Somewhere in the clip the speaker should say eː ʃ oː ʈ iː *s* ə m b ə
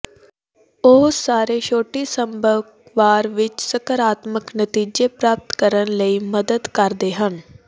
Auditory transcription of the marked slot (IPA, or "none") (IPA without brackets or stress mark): s